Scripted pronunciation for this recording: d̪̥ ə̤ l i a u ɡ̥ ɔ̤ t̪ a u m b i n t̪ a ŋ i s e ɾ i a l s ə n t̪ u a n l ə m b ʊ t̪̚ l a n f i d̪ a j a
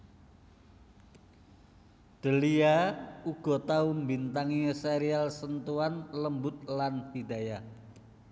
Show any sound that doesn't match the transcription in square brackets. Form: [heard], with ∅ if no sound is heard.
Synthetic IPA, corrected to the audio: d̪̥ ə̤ l i a u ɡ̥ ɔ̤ t̪ a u m b i n t̪ a ŋ i s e ɾ i a l s ə n t̪ u a n l ə m b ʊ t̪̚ l a n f i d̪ a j a